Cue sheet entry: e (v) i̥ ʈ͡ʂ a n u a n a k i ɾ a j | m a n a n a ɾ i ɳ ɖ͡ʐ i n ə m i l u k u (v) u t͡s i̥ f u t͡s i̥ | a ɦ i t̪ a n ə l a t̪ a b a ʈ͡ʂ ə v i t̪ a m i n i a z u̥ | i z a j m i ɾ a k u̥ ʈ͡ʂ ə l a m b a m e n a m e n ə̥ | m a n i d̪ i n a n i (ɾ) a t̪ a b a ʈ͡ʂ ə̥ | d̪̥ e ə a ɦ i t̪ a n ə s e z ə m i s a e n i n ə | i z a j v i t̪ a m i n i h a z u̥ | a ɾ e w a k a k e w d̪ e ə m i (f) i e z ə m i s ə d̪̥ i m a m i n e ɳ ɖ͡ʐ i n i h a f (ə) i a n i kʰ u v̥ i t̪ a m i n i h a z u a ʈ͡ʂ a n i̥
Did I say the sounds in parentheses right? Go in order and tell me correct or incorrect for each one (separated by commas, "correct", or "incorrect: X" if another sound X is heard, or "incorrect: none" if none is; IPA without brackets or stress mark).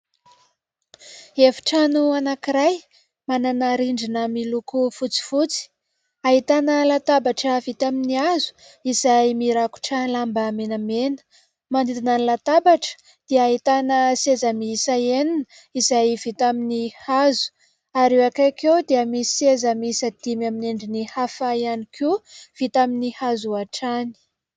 incorrect: f, incorrect: f, incorrect: l, incorrect: s, incorrect: a